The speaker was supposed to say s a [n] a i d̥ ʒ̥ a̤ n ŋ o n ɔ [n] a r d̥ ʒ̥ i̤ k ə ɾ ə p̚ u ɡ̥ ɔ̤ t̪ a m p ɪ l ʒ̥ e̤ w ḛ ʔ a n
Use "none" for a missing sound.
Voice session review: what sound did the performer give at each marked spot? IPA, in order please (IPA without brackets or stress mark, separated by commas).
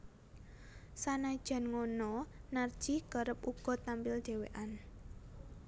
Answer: n, n